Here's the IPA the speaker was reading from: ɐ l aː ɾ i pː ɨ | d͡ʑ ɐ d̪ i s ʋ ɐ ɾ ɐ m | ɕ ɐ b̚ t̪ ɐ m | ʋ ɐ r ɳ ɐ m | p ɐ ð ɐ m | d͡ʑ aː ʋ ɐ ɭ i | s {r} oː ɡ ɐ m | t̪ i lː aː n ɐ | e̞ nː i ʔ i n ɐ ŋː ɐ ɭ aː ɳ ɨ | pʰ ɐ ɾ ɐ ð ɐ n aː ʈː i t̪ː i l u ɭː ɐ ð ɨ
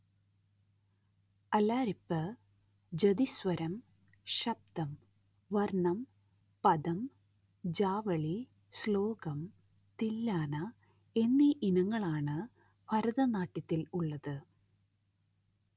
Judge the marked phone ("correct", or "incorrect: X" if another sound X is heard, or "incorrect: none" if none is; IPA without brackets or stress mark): incorrect: l